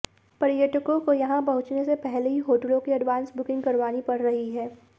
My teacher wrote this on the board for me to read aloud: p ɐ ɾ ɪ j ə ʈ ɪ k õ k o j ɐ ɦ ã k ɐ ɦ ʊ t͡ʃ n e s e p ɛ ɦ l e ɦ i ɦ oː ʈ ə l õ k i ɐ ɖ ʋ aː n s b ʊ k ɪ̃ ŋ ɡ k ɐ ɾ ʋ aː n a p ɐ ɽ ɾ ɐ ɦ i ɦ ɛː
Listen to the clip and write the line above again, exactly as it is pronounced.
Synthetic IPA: p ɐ ɾ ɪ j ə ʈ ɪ k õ k o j ɐ ɦ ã p ɐ ɦ ʊ t͡ʃ n e s e p ɛ ɦ l e ɦ i ɦ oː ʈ ə l õ k i ɐ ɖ ʋ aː n s b ʊ k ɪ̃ ŋ ɡ k ɐ ɾ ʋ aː n i p ɐ ɽ ɾ ɐ ɦ i ɦ ɛː

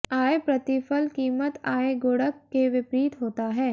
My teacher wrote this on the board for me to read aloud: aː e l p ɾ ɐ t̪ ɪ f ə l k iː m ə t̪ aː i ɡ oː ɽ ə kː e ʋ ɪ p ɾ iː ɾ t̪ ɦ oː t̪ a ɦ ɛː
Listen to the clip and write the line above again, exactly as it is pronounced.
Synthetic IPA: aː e p ɾ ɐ t̪ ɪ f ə l k iː m ə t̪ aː e ɡ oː ɽ ə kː e ʋ ɪ p ɾ iː t̪ ɦ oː t̪ a ɦ ɛː

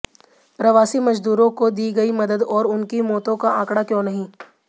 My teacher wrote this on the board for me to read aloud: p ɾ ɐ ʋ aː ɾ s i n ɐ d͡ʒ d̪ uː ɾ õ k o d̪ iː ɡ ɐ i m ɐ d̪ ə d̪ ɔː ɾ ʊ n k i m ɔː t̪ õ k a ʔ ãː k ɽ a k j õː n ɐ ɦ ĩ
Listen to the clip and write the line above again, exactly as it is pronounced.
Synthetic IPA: p ɾ ɐ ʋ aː s i m ɐ d͡ʒ d̪ uː ɾ õ k o d̪ iː ɡ ɐ i m ɐ d̪ ə d̪ ɔː ɾ ʊ n k i m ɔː t̪ õ k a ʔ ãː k ɽ a k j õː n ɐ ɦ ĩ

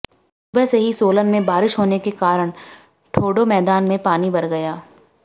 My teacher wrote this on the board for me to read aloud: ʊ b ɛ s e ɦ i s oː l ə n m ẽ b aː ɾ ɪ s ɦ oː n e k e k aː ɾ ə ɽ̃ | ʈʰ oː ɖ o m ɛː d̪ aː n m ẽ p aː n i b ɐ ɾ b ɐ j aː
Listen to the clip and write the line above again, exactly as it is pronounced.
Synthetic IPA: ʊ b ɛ s e ɦ i s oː l ə n m ẽ b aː ɾ ɪ ʃ ɦ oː n e k e k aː ɾ ə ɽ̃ | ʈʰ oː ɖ o m ɛː d̪ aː n m ẽ p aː n i b ɐ ɾ ɡ ɐ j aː

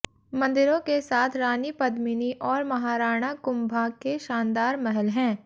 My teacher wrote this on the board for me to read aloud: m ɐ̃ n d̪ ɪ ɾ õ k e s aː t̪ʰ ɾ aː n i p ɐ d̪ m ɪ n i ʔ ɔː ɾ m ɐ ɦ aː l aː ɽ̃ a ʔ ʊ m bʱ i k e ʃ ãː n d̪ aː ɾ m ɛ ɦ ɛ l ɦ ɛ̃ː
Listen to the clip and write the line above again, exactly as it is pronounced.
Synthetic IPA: m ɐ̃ n d̪ ɪ ɾ õ k e s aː t̪ʰ ɾ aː n i p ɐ d̪ m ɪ n i ʔ ɔː ɾ m ɐ ɦ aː ɾ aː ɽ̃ a k ʊ m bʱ a k e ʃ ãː n d̪ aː ɾ m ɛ ɦ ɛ l ɦ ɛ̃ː

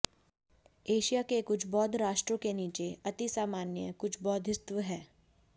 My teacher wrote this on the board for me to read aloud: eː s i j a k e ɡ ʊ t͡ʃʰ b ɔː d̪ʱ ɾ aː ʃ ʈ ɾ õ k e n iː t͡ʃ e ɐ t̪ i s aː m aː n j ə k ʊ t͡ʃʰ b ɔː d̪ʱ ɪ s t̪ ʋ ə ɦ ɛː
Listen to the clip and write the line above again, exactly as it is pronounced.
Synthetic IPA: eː ʃ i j a k e k ʊ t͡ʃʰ b ɔː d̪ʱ ɾ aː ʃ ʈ ɾ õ k e n iː t͡ʃ e ɐ t̪ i s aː m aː n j ə k ʊ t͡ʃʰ b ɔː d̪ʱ ɪ s t̪ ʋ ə ɦ ɛː

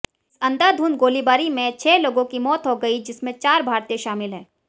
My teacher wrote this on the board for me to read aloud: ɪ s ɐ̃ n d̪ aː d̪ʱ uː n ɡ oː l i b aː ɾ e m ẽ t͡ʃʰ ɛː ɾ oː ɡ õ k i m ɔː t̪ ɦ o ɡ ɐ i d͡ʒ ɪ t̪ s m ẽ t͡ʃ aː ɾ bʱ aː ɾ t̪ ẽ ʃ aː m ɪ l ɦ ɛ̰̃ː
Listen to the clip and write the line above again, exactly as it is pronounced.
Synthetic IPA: ɪ s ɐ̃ n d̪ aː d̪ʱ uː n ɡ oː l i b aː ɾ i m ẽ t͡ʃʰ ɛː l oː ɡ õ k i m ɔː t̪ ɦ o ɡ ɐ i d͡ʒ ɪ s m ẽ t͡ʃ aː ɾ bʱ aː ɾ t̪ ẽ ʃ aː m ɪ l ɦ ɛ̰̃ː

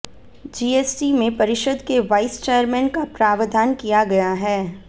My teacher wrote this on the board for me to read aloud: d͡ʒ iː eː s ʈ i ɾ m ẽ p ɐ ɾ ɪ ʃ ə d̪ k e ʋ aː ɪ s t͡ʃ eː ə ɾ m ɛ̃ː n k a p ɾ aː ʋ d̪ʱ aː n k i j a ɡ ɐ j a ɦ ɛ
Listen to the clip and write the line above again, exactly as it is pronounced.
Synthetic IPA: d͡ʒ iː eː s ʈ i m ẽ p ɐ ɾ ɪ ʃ ə d̪ k e ʋ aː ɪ s t͡ʃ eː ə ɾ m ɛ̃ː n k a p ɾ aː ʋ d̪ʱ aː n k i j a ɡ ɐ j a ɦ ɛː

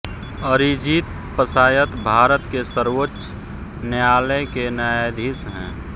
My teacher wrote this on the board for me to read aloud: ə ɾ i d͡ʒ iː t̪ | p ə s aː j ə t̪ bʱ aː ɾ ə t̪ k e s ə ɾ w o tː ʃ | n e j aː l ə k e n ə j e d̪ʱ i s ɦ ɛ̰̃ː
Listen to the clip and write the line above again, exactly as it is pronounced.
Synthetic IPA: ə ɾ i d͡ʒ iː t̪ | p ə s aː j ə t̪ bʱ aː ɾ ə t̪ k e s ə ɾ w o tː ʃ | n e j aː l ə k e n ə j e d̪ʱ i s ɦ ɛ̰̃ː

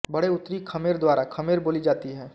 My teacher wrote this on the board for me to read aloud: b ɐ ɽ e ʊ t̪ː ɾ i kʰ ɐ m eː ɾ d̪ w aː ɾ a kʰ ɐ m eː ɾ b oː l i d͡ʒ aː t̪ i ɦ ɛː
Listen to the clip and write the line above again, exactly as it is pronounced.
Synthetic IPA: b ɐ ɽ e ʊ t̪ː ɾ i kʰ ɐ m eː ɾ d̪ w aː ɾ a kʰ ɐ m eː ɾ b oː l i d͡ʒ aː t̪ i ɦ ɛː

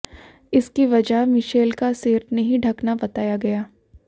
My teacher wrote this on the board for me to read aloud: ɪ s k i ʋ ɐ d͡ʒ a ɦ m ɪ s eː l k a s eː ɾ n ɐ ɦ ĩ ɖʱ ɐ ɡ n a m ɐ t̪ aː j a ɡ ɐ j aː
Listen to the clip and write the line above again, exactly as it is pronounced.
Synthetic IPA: ɪ s k i ʋ ɐ d͡ʒ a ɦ m ɪ ʃ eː l k a s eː ɾ n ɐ ɦ ĩ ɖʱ ɐ k n a b ɐ t̪ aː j a ɡ ɐ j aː

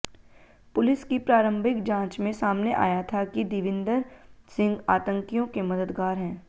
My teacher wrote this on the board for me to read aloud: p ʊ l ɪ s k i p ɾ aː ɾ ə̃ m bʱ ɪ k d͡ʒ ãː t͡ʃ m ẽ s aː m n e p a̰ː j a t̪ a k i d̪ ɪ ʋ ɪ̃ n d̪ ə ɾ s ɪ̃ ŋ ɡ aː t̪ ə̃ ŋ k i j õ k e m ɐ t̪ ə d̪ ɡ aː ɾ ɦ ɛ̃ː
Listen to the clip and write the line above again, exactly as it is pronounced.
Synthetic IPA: p ʊ l ɪ s k i p ɾ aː ɾ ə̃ m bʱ ɪ k d͡ʒ ãː t͡ʃ m ẽ s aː m n e ʔ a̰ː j a t̪ʰ a k i d̪ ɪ ʋ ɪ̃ n d̪ ə ɾ s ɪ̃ ŋ ɡ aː t̪ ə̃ ŋ k i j õ k e m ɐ d̪ ə d̪ ɡ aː ɾ ɦ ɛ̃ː

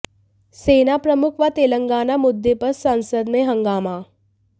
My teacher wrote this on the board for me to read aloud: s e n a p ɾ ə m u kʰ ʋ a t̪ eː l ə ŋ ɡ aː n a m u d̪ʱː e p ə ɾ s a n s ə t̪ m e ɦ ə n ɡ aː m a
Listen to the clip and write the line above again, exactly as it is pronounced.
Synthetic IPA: s e n a p ɾ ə m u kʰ ʋ a t̪ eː l ə ŋ ɡ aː n a m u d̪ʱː e p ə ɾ s a n s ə d̪ m e ɦ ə ŋ ɡ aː m a

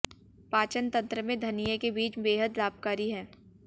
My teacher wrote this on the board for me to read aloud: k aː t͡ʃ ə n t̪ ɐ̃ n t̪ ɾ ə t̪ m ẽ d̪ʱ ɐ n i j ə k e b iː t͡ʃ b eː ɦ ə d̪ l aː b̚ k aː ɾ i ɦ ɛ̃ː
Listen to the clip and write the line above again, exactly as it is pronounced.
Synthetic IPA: p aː t͡ʃ ə n t̪ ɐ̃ n t̪ ɾ ə m ẽ d̪ʱ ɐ n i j ə k e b iː t͡ʃ b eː ɦ ə d̪ l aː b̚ k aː ɾ i ɦ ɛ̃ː

